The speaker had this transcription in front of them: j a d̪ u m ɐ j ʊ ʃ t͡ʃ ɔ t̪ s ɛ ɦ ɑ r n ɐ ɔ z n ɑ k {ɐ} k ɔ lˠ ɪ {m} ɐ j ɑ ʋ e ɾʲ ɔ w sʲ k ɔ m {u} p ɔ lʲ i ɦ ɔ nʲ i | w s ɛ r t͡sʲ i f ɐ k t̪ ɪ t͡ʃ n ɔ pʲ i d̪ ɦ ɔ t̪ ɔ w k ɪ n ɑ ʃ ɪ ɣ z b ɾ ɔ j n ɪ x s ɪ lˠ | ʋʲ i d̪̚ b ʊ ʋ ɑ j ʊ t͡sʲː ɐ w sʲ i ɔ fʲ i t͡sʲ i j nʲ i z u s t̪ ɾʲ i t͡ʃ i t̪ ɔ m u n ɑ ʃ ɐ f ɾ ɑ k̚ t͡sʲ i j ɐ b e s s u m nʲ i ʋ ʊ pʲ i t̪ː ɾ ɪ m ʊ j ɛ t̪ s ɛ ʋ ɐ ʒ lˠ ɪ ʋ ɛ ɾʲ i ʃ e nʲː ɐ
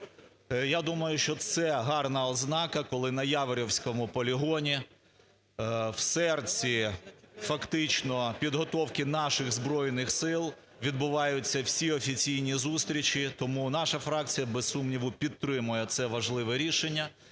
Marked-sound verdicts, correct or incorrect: correct, incorrect, incorrect

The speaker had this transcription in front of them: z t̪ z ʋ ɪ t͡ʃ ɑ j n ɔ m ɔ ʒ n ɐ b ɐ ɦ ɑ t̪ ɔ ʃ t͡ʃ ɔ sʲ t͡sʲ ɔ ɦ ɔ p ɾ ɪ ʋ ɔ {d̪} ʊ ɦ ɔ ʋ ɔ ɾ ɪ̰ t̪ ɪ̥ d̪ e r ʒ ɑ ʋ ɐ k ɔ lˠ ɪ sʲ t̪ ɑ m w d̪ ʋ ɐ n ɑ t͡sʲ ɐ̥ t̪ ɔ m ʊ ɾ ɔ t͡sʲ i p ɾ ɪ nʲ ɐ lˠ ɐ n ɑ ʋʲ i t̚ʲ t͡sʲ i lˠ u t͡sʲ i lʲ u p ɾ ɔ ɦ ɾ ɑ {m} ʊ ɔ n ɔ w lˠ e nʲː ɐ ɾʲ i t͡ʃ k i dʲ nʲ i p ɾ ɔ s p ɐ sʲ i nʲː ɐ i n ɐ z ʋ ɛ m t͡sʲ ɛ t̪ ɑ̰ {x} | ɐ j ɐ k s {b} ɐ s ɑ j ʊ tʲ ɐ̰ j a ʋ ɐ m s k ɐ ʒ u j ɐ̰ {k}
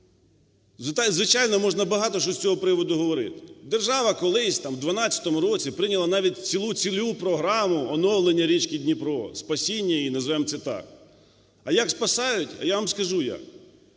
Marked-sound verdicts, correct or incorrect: correct, correct, incorrect, incorrect, correct

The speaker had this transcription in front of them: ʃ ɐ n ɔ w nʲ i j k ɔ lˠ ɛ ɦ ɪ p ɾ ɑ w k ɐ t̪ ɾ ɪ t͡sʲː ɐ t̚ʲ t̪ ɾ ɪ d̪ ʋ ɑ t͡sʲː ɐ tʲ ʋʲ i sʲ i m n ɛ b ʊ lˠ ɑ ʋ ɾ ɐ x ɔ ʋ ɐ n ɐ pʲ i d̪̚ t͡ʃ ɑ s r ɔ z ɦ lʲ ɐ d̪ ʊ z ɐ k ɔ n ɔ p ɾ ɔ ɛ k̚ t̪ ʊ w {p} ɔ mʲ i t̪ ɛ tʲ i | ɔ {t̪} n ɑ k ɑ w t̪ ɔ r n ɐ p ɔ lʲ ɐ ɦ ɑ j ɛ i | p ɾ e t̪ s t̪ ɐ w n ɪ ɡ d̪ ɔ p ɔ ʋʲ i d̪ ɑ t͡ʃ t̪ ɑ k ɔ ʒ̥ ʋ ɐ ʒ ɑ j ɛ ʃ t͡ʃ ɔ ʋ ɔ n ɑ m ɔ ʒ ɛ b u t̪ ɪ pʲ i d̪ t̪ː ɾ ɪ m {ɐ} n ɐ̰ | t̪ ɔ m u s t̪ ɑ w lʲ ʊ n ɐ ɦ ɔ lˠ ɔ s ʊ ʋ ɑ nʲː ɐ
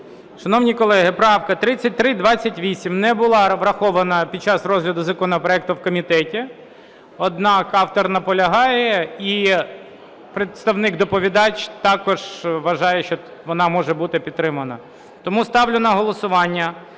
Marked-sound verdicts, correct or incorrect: incorrect, incorrect, correct

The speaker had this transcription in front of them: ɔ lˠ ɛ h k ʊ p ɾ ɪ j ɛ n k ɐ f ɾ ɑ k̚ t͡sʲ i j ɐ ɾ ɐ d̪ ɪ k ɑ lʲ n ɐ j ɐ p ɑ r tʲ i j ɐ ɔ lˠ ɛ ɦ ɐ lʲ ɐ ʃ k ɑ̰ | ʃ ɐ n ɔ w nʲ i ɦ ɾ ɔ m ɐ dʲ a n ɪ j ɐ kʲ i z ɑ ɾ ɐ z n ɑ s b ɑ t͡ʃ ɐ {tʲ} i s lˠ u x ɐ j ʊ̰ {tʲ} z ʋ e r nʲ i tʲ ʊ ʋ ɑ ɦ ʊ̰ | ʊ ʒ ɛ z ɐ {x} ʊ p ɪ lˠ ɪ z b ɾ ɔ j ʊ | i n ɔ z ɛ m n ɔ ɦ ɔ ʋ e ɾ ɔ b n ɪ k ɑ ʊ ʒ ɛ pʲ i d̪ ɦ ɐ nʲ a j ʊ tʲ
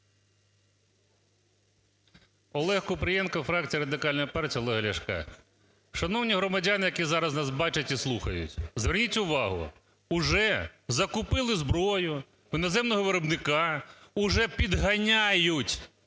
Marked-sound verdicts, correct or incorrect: correct, correct, incorrect

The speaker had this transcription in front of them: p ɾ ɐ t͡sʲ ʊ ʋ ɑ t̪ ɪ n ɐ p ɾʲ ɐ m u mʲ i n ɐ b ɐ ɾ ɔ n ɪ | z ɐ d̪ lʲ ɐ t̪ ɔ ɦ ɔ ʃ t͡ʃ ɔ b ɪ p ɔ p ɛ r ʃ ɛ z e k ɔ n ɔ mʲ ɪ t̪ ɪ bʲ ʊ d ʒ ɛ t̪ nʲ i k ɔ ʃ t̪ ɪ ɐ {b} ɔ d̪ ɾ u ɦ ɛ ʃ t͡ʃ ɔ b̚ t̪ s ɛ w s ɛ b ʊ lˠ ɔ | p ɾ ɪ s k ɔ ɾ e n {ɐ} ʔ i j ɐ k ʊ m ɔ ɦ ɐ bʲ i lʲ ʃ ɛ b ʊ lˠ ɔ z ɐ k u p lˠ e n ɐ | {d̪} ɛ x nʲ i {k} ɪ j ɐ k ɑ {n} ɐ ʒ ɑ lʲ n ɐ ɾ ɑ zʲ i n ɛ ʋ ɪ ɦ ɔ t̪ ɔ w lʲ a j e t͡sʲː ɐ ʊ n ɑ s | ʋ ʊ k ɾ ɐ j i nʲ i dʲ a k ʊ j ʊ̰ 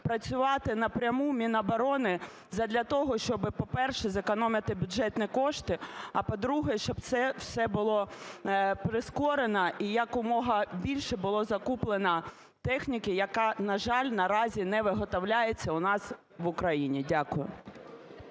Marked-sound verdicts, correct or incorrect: incorrect, correct, incorrect, correct, correct

